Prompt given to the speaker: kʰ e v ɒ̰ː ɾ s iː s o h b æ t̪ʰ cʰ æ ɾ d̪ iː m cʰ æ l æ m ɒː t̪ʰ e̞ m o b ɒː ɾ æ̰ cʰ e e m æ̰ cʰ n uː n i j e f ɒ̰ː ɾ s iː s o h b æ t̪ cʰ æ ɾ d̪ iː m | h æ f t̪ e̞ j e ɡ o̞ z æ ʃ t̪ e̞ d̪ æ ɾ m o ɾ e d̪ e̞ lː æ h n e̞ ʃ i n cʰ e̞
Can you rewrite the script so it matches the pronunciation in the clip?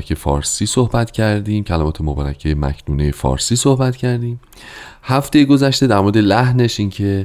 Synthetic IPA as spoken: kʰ e f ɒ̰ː ɾ s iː s o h b æ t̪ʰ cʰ æ ɾ d̪ iː m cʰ æ l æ m ɒː t̪ʰ e̞ m o b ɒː ɾ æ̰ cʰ e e m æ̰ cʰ n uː n e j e f ɒ̰ː ɾ s iː s o h b æ t̪ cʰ æ ɾ d̪ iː m | h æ f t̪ e̞ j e ɡ o̞ z æ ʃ t̪ e̞ d̪ æ ɾ m o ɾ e d̪ e̞ l æ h n e̞ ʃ i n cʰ e̞